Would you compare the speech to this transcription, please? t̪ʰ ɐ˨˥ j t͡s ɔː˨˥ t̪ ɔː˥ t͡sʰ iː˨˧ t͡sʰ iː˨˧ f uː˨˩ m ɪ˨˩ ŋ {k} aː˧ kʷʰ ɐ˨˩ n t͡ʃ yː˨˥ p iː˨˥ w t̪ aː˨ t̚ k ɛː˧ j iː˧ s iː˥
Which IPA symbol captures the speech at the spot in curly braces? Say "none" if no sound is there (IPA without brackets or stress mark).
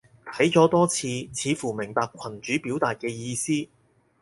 p